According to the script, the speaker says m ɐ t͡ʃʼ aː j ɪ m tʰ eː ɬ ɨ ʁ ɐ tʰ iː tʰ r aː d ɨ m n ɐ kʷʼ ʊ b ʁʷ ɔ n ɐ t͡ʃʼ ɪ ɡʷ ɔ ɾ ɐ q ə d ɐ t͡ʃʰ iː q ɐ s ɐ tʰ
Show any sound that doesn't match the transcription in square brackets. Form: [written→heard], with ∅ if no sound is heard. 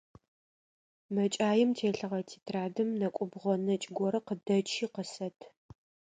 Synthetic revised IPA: m ɐ t͡ʃʼ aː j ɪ m tʰ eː ɬ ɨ ʁ ɐ tʰ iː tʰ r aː d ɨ m n ɐ kʷʼ ʊ b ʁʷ ɔ n ɐ t͡ʃʼ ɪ ɡʷ ɔ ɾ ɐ q ə d ɐ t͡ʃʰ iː q [ɐ→ə] s ɐ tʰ